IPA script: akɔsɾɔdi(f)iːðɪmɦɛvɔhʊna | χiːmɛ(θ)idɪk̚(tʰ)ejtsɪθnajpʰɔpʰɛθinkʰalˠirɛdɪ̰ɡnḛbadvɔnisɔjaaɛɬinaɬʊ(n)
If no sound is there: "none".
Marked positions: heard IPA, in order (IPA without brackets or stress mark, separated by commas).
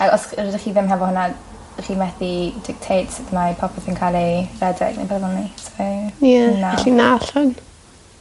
χ, θ, tʰ, n